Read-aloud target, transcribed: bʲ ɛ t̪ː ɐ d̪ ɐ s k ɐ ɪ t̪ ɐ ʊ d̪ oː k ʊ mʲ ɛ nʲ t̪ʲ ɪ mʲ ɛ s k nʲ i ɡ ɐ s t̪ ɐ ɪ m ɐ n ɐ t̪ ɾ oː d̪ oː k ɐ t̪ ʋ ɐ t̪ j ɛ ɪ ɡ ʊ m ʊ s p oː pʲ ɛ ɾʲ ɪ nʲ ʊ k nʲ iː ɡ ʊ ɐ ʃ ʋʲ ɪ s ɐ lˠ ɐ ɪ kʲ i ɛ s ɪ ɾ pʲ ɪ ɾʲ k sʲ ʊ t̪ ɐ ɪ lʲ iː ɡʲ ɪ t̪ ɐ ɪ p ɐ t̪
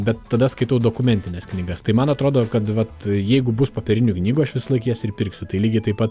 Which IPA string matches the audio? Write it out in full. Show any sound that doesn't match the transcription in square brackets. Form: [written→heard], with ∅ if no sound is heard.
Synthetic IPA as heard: bʲ ɛ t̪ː ɐ d̪ ɐ s k ɐ ɪ t̪ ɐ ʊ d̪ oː k ʊ mʲ ɛ nʲ t̪ʲ ɪ [mʲ→nʲ] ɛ s k nʲ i ɡ ɐ s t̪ ɐ ɪ m ɐ n ɐ t̪ ɾ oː d̪ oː k ɐ t̪ ʋ ɐ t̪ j ɛ ɪ ɡ ʊ [m→b] ʊ s p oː pʲ ɛ ɾʲ ɪ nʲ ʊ k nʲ iː ɡ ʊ ɐ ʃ ʋʲ ɪ s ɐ lˠ ɐ ɪ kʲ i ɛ s ɪ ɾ pʲ ɪ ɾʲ k sʲ ʊ t̪ ɐ ɪ lʲ iː ɡʲ ɪ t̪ ɐ ɪ p ɐ t̪